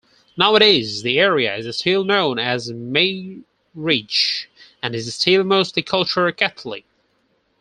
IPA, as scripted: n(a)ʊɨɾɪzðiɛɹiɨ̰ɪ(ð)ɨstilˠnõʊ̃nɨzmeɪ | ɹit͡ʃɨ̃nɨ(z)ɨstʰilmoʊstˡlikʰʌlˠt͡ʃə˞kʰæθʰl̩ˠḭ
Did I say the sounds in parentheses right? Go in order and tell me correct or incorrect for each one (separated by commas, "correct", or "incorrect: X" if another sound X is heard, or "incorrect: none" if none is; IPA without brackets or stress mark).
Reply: correct, incorrect: z, correct